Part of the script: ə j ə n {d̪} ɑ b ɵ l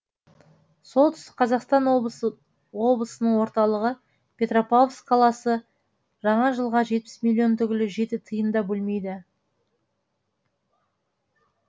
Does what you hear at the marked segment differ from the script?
no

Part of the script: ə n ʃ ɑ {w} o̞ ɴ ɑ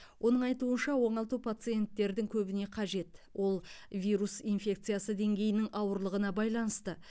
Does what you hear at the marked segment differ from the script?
no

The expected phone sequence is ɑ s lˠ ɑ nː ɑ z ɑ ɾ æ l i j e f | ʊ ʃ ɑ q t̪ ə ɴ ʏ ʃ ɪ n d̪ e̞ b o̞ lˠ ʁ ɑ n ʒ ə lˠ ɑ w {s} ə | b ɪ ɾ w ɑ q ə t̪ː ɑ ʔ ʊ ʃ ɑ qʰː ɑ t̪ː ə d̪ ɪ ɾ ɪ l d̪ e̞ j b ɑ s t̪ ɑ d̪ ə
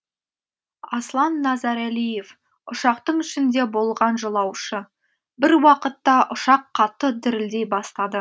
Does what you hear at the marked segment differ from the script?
yes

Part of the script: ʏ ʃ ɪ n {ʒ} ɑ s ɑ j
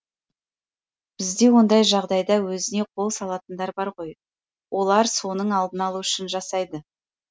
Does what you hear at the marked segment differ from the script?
no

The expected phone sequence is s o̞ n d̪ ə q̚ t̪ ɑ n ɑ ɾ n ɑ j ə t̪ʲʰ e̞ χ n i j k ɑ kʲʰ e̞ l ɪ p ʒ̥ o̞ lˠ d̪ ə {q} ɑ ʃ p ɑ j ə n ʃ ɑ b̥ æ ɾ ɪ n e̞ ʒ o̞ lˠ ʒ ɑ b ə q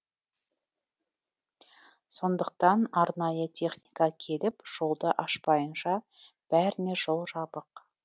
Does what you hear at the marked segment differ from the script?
yes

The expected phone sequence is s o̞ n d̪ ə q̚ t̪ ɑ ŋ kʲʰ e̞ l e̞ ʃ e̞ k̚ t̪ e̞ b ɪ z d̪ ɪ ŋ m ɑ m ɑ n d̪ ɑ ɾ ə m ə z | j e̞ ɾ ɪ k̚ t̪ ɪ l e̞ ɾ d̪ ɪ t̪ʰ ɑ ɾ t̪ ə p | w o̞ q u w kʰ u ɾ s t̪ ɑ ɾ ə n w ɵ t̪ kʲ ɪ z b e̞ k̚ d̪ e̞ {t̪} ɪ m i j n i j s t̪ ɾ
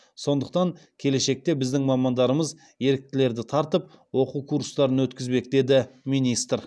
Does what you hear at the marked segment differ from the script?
yes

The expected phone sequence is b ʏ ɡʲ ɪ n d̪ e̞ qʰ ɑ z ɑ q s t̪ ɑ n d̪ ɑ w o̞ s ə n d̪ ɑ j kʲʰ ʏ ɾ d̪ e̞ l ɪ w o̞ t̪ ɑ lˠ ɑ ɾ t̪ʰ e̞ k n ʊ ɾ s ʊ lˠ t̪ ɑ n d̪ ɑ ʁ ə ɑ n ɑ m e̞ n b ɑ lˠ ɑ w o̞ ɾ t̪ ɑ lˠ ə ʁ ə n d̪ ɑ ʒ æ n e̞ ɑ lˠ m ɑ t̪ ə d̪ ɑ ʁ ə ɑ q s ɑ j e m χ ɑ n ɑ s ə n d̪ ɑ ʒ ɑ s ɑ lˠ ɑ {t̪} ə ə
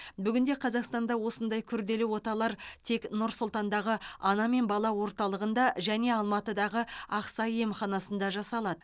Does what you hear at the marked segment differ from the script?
yes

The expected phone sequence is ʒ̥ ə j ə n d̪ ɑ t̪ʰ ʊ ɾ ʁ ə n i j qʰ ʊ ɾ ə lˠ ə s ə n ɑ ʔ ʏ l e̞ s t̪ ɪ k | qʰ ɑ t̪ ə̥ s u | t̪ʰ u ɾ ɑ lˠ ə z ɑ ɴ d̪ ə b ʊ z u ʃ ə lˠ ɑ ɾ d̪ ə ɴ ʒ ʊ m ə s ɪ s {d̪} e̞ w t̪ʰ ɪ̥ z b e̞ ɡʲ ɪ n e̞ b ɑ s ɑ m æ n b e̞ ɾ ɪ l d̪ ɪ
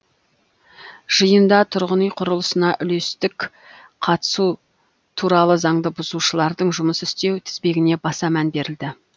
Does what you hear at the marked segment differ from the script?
yes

